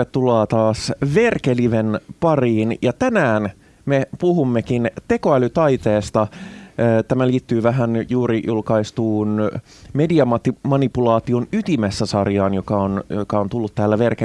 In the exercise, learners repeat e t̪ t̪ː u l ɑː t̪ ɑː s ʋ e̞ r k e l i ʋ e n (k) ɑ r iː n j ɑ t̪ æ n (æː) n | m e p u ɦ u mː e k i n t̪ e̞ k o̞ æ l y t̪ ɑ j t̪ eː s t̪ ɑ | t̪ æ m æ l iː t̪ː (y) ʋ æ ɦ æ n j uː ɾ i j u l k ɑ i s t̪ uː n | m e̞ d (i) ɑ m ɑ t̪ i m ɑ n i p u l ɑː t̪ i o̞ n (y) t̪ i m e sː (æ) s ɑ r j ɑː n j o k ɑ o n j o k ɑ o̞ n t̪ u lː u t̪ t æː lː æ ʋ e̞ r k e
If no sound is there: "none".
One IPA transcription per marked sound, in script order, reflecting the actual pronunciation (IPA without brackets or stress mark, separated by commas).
p, æː, yː, i, y, æ